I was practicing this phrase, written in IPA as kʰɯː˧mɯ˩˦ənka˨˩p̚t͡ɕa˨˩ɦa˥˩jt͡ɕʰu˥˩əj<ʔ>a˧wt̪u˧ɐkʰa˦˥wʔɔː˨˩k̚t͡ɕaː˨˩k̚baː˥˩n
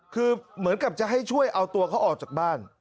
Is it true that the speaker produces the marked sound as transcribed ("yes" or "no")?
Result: yes